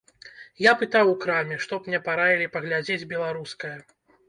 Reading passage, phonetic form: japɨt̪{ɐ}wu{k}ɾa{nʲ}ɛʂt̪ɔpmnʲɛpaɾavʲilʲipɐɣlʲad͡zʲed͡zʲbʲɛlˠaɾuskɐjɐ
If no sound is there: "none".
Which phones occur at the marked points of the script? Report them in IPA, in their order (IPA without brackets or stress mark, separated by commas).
a, k, mʲ